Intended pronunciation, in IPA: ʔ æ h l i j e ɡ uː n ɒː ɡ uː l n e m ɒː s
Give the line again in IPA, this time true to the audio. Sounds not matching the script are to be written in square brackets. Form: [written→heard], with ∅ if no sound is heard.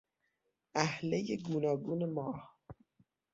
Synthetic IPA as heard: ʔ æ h l [i→e] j e ɡ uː n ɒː ɡ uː [l→∅] n e m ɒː [s→h]